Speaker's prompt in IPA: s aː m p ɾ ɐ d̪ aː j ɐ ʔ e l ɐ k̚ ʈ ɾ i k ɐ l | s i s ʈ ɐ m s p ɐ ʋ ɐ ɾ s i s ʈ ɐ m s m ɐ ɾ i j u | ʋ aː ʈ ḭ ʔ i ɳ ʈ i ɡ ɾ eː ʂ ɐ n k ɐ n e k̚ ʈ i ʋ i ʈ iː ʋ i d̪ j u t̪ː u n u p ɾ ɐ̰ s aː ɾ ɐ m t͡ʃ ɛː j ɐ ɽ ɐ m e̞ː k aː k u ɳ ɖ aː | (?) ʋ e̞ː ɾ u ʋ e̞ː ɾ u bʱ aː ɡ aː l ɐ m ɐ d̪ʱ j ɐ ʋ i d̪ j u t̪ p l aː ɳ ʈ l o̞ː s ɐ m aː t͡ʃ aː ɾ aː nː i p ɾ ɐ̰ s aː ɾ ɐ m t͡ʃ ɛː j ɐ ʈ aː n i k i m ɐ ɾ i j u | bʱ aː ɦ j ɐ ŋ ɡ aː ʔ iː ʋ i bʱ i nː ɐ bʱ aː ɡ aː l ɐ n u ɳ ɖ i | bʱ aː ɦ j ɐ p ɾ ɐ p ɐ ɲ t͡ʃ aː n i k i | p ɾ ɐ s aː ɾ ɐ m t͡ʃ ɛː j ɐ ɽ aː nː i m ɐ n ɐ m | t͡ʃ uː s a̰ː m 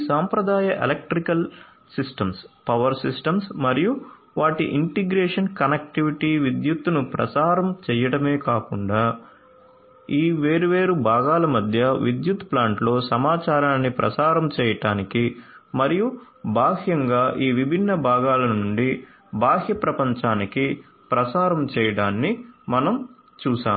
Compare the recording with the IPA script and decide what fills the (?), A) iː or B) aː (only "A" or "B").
A